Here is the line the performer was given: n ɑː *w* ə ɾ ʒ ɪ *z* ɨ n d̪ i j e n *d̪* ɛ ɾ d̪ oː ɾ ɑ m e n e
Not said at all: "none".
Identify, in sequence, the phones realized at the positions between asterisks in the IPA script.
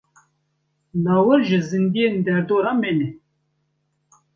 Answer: w, z, d̪

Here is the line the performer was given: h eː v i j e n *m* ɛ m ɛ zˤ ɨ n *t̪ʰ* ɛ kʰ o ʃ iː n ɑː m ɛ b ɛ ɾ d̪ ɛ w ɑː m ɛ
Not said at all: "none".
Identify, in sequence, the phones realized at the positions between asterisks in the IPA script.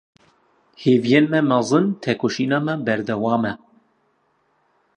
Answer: m, t̪ʰ

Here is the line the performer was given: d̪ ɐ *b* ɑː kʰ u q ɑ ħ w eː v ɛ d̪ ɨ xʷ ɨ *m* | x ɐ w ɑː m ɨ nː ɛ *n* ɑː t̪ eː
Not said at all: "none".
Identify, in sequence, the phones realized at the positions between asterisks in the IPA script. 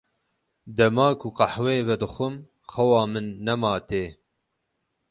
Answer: m, m, m

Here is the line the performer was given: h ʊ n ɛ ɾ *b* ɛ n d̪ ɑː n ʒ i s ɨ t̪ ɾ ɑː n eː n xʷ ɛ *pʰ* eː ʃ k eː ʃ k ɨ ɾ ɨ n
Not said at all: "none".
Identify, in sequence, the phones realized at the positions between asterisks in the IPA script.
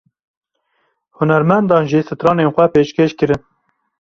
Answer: m, p

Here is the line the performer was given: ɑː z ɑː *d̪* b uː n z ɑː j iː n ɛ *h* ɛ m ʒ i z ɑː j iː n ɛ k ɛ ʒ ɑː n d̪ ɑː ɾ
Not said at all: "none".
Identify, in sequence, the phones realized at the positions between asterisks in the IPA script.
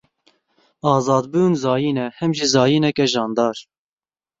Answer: d̪, h

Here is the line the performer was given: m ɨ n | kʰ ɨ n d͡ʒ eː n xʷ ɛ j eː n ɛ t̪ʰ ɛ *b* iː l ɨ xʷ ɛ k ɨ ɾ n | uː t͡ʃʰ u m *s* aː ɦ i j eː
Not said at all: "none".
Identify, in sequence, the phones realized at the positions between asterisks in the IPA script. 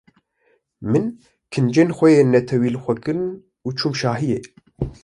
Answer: w, ʃ

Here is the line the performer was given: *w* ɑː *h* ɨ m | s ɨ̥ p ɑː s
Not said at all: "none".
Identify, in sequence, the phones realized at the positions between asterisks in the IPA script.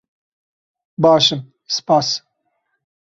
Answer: b, ʃ

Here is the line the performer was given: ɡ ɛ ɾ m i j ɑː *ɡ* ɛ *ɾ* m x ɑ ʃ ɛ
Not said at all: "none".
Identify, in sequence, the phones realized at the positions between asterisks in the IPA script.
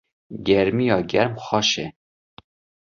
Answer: ɡ, ɾ

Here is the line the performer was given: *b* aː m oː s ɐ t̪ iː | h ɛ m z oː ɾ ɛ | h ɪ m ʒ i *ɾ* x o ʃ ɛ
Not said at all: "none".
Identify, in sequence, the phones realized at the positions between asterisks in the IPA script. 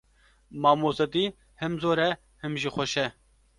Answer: m, none

